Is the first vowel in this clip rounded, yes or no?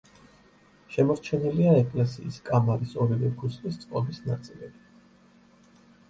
no